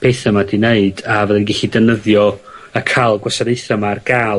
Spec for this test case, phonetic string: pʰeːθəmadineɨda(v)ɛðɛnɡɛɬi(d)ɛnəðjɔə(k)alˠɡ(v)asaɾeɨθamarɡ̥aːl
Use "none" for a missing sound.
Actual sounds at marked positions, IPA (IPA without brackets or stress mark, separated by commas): v, d, kʰ, w